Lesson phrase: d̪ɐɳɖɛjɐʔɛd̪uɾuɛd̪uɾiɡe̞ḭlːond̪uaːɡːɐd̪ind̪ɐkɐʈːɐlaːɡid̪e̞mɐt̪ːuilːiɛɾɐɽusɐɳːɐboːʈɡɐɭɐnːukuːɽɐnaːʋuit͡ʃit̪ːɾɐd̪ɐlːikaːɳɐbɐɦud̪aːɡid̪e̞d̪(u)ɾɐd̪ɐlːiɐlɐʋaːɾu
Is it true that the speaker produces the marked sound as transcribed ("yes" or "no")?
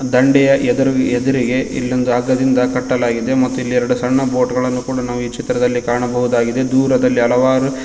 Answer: no